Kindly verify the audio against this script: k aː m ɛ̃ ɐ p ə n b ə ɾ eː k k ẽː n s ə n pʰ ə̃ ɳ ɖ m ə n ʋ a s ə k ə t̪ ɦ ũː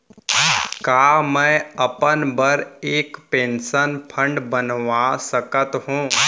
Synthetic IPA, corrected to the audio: k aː m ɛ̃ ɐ p ə n b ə ɾ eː k p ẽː n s ə n pʰ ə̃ ɳ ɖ b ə n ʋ a s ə k ə t̪ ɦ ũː